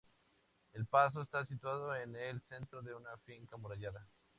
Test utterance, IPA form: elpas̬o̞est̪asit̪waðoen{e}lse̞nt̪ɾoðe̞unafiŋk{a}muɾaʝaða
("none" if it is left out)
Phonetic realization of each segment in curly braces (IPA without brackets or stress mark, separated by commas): e, a